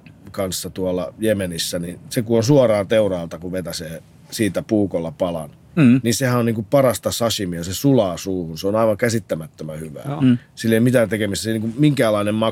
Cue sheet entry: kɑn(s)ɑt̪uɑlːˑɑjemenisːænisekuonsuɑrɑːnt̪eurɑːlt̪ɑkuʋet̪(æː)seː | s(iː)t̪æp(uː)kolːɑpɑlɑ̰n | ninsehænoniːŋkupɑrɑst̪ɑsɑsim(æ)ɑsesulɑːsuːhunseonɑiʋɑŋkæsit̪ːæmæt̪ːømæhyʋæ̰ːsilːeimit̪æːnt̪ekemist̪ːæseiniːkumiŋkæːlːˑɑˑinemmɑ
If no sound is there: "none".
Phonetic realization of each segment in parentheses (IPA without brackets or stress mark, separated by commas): sː, æ, iː, uː, i